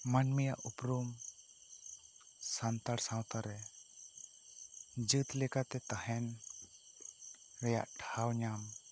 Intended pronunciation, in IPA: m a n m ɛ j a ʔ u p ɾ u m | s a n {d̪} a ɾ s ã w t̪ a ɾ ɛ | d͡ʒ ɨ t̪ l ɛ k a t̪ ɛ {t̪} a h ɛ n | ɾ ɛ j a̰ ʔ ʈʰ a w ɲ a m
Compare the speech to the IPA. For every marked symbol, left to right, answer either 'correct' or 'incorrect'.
incorrect, correct

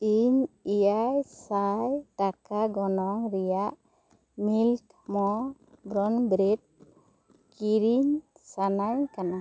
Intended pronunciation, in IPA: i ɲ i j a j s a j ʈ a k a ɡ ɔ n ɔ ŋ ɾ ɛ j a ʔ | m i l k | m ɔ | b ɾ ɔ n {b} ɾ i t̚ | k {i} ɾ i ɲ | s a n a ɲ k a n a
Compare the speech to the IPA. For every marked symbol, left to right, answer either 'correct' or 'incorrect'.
correct, correct

